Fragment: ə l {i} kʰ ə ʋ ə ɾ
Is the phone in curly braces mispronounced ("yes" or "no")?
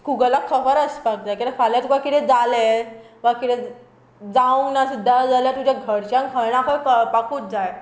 yes